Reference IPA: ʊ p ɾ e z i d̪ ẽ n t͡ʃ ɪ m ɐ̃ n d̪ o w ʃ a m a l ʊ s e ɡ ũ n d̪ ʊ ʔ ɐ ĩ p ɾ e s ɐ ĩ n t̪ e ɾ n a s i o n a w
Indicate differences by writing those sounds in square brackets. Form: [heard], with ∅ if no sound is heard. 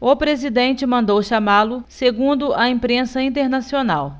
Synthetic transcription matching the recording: ʊ p ɾ e z i d̪ ẽ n t͡ʃ ɪ m ɐ̃ n d̪ o w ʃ a m a l ʊ s e ɡ ũ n d̪ ʊ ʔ ɐ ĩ p ɾ [ẽ] s ɐ ĩ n t̪ e ɾ n a s i o n a w